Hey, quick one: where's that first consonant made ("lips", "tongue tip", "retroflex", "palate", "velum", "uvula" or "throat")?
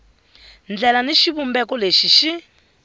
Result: tongue tip